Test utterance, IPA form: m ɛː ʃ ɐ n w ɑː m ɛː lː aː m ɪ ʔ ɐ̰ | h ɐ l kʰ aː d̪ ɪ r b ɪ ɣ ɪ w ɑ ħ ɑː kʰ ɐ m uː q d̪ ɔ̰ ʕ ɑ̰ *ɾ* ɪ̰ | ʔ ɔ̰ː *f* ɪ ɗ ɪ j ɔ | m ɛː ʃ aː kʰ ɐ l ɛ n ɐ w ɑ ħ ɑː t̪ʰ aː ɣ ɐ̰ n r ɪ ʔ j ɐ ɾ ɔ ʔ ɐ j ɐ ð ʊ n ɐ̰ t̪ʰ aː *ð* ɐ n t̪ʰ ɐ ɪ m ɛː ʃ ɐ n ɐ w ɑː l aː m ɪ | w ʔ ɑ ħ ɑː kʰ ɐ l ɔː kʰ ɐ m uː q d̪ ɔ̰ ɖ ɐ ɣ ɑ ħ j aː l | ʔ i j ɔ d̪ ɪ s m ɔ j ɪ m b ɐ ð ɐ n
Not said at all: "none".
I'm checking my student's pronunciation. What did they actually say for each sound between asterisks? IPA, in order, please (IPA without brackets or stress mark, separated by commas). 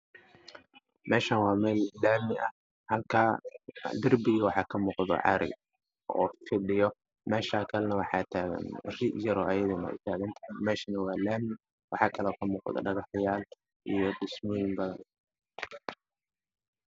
ɾ, f, ɣ